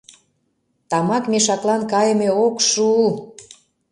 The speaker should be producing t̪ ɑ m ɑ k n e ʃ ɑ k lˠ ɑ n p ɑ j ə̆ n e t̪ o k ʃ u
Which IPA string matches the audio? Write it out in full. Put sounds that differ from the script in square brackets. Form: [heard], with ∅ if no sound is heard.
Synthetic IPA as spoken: t̪ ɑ m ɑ k [m] e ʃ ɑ k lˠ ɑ n [k] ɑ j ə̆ [m] e [∅] o k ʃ u